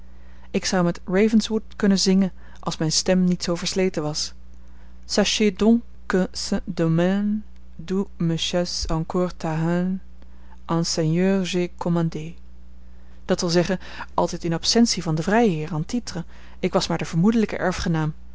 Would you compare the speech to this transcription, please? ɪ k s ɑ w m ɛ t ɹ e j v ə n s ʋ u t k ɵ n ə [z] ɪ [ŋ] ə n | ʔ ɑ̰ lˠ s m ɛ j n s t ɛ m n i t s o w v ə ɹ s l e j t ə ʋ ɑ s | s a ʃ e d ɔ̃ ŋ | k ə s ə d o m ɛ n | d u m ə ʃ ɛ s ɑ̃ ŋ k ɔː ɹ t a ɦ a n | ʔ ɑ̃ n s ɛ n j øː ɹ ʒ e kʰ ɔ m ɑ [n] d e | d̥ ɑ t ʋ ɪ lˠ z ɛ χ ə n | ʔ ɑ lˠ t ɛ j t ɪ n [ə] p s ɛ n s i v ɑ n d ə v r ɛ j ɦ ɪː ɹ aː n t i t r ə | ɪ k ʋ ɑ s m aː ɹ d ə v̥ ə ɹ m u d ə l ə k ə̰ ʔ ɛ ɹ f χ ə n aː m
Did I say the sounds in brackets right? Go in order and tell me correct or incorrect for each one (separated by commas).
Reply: correct, correct, correct, incorrect